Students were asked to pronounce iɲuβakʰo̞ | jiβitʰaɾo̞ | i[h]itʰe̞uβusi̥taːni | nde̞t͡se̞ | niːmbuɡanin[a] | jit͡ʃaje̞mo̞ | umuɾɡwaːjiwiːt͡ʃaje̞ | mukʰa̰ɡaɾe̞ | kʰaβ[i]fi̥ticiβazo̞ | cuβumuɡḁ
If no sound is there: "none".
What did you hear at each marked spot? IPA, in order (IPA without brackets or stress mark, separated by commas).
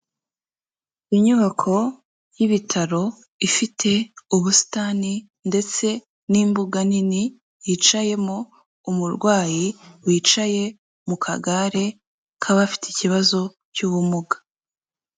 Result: f, i, a